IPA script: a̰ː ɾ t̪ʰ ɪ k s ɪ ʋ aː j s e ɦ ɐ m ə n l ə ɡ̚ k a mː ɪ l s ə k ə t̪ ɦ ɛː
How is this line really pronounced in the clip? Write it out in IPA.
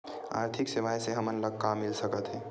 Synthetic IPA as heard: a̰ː ɾ t̪ʰ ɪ k s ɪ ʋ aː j s e ɦ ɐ m ə n l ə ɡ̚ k a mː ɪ l s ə k ə t̪ ɦ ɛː